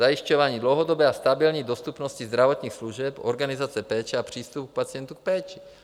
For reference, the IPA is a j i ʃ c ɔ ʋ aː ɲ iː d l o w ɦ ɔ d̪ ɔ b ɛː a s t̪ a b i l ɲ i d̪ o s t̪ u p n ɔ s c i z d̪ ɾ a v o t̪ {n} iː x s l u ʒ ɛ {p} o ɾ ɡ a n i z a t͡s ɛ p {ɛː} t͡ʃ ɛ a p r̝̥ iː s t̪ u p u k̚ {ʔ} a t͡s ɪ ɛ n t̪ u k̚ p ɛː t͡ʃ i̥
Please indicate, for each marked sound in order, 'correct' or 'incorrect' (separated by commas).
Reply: incorrect, correct, correct, incorrect